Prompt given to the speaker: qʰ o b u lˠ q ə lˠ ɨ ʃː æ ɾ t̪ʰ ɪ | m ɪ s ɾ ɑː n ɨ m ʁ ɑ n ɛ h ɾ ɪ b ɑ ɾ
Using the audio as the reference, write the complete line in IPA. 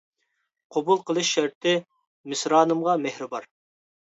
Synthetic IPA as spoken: qʰ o b u lˠ q ə lˠ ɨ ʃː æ ɾ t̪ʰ ɪ | m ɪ s ɾ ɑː n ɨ m ʁ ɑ m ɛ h ɾ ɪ b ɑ ɾ